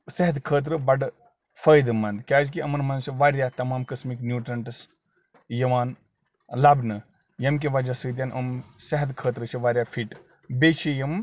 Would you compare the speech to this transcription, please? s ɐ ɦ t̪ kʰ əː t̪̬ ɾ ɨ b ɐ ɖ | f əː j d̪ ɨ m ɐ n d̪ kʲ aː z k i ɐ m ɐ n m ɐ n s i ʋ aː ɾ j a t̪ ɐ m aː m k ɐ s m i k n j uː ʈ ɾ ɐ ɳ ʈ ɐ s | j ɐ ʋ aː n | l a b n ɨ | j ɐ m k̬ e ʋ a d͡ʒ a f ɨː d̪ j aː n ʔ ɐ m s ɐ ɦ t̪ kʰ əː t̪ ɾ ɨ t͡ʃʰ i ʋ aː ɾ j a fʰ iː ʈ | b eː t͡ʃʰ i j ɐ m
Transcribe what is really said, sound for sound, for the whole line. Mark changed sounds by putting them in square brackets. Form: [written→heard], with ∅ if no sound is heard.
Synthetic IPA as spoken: s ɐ ɦ t̪ kʰ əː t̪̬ ɾ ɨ b ɐ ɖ | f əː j d̪ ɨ m ɐ n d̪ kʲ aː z k i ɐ m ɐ n m ɐ n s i ʋ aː ɾ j a t̪ ɐ m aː m k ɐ s m i k n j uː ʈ ɾ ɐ ɳ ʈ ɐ s | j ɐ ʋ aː n | l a b n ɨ | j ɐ m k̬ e ʋ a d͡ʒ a [f→s] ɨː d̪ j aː n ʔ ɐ m s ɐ ɦ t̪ kʰ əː t̪ ɾ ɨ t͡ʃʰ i ʋ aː ɾ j a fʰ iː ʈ | b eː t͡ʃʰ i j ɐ m